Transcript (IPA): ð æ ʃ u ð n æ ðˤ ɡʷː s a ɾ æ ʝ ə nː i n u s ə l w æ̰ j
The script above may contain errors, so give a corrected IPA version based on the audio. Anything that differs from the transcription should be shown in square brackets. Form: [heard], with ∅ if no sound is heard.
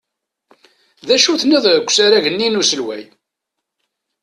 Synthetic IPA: ð æ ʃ u [θ] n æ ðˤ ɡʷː s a ɾ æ ʝ ə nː i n u s ə l w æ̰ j